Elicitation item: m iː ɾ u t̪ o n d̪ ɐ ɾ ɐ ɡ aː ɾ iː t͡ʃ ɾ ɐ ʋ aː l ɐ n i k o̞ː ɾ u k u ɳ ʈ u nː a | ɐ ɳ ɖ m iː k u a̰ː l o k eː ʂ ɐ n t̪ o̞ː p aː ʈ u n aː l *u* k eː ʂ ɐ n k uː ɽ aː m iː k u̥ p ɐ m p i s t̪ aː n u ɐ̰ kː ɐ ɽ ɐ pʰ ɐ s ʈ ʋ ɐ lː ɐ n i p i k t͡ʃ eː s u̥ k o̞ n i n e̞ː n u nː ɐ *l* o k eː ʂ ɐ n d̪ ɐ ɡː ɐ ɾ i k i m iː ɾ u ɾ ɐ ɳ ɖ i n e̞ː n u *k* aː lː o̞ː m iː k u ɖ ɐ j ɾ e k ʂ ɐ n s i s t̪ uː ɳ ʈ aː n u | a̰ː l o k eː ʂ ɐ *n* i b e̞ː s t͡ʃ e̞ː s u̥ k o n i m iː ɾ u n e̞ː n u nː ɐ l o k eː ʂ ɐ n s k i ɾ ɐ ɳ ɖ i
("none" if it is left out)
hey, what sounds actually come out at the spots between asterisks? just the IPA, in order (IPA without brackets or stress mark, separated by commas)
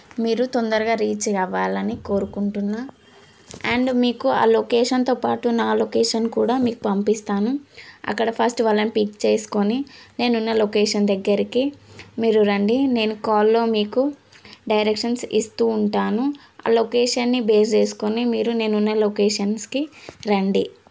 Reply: o, l, k, nː